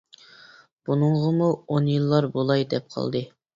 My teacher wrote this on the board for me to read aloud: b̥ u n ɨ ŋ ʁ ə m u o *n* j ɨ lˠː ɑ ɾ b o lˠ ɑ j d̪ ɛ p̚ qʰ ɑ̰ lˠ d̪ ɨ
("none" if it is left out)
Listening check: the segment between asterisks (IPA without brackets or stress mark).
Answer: n